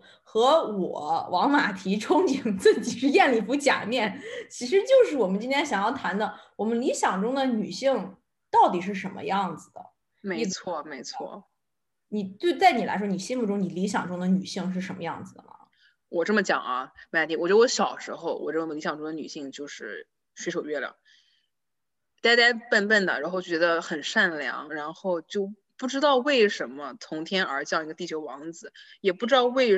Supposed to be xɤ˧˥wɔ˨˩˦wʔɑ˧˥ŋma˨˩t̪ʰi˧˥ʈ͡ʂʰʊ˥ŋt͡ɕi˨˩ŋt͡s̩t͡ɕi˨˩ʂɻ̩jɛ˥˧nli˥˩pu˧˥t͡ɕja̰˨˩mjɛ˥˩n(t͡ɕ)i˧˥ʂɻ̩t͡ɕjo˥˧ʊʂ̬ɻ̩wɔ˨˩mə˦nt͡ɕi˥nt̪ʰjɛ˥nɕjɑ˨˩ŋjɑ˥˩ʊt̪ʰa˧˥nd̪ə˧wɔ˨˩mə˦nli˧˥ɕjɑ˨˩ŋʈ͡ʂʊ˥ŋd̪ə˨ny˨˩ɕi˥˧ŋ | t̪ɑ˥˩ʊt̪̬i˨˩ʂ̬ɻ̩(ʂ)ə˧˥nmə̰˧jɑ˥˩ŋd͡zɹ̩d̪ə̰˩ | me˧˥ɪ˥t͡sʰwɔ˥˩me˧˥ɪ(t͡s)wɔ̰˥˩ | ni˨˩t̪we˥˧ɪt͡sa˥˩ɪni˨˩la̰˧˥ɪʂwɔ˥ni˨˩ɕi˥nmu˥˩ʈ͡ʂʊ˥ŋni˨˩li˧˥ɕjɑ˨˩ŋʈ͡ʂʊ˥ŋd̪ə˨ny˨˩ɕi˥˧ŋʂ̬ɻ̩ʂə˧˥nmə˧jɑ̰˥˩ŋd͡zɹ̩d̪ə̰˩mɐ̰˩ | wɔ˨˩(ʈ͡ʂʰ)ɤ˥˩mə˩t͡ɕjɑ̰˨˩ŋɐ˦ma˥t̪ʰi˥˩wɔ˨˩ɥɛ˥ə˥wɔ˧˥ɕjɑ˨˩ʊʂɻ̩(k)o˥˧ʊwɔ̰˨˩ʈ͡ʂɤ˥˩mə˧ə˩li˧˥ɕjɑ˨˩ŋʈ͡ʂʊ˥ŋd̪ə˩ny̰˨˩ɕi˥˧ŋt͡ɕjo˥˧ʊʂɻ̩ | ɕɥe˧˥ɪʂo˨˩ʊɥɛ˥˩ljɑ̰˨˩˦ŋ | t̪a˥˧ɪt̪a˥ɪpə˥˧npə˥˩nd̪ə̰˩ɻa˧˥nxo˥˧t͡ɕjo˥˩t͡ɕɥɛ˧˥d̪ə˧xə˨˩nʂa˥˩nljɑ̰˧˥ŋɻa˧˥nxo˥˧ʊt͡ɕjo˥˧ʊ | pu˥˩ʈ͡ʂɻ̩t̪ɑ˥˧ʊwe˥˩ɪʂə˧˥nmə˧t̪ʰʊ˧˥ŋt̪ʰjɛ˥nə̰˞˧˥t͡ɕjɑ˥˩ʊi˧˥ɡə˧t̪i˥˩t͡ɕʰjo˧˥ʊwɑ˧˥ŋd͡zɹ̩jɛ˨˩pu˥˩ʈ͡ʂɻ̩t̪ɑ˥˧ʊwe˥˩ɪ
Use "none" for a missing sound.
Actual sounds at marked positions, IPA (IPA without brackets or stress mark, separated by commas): t͡ɕʰ, ʂ, t͡sʰ, ʈ͡ʂ, x